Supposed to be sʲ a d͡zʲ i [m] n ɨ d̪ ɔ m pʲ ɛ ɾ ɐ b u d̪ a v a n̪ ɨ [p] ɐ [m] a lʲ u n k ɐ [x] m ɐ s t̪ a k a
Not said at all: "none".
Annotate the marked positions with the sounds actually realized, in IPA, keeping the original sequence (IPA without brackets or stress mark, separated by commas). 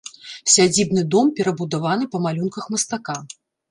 b, p, m, x